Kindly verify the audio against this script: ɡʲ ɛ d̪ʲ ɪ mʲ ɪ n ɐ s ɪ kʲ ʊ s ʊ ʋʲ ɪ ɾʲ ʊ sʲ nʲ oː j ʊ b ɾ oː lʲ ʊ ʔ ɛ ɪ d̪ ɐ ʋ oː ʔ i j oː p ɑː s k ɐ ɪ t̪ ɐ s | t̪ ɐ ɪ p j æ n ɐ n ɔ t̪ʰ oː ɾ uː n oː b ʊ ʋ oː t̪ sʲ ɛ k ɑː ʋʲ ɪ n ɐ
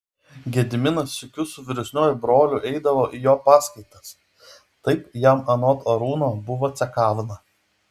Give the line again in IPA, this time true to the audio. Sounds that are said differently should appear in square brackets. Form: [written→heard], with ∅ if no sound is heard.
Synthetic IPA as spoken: ɡʲ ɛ d̪ʲ ɪ mʲ ɪ n ɐ s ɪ kʲ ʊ s ʊ ʋʲ ɪ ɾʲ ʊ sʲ nʲ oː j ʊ b ɾ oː lʲ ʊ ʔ ɛ ɪ d̪ ɐ ʋ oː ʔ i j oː p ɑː s k ɐ ɪ t̪ ɐ s | t̪ ɐ ɪ p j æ [n→m] ɐ n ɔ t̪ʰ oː ɾ uː n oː b ʊ ʋ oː t̪ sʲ ɛ k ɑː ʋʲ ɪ n ɐ